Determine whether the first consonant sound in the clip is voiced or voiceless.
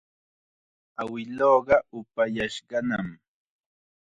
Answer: voiced